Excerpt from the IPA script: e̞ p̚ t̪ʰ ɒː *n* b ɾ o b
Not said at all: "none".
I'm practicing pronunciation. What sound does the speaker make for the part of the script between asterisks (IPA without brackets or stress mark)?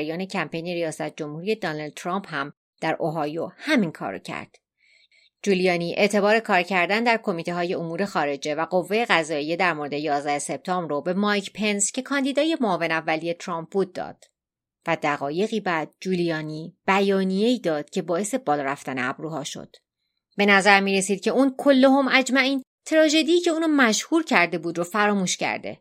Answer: m